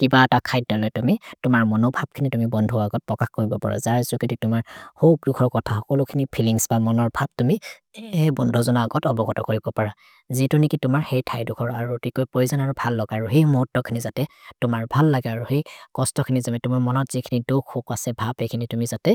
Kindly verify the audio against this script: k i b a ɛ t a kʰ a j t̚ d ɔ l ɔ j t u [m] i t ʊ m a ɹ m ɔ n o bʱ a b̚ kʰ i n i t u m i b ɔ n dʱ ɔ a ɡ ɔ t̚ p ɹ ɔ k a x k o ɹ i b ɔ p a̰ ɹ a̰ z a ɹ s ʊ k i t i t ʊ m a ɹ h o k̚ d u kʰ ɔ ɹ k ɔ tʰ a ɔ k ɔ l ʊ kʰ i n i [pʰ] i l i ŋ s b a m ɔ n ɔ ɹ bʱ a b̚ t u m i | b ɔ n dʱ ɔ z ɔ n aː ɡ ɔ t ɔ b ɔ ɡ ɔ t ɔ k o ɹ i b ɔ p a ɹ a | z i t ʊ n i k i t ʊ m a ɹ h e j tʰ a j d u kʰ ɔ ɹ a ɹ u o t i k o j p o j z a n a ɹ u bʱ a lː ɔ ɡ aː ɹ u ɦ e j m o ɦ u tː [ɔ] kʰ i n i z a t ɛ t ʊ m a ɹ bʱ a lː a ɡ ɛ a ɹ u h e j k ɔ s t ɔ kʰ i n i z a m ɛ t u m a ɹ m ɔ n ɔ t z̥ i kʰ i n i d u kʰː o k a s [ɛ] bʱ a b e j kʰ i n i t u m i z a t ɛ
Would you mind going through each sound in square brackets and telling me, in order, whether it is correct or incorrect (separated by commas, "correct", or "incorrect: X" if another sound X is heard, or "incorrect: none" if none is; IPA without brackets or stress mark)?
correct, correct, correct, correct